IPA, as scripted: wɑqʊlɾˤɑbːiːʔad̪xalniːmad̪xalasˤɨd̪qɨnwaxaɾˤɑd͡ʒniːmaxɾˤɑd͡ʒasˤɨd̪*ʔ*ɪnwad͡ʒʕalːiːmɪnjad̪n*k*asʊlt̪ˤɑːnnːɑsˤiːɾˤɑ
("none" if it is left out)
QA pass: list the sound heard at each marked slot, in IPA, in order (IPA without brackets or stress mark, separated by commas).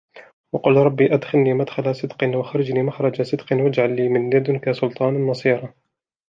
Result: q, k